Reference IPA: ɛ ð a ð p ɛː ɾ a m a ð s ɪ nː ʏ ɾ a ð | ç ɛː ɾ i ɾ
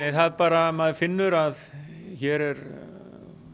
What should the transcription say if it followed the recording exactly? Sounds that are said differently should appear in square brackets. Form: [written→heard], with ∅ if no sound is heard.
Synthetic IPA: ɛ [ð→θ] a ð p [ɛː→aː] ɾ a m a ð [s→f] ɪ nː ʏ ɾ a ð | ç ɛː ɾ [i→ɛ] ɾ